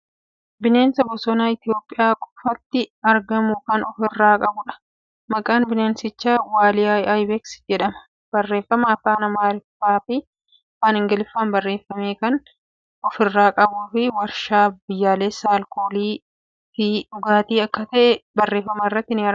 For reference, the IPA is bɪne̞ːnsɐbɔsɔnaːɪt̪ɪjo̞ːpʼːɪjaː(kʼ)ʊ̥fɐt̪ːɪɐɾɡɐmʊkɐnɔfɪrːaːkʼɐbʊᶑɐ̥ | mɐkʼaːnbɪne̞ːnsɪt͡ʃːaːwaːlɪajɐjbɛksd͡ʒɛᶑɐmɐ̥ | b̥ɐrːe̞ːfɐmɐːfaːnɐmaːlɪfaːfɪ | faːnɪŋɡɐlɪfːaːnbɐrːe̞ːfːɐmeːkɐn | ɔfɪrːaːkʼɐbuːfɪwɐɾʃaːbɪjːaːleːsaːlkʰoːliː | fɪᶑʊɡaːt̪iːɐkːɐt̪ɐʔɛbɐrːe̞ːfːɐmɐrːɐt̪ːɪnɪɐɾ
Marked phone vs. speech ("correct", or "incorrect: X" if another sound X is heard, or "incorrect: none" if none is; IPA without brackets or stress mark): correct